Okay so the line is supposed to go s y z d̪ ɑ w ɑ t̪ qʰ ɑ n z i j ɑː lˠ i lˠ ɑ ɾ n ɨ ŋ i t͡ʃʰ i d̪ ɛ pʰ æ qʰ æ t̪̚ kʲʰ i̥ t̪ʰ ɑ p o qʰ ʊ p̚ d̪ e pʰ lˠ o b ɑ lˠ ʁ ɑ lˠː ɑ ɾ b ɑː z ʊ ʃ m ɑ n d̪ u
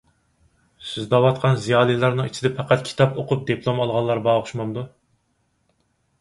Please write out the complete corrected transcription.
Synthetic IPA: s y z d̪ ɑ w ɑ t̪ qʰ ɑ n z i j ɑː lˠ i lˠ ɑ ɾ n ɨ ŋ i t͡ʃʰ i d̪ ɛ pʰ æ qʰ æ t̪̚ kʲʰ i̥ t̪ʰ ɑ p o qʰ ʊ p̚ d̪ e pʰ lˠ o m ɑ lˠ ʁ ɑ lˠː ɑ ɾ b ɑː ʁ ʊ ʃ m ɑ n d̪ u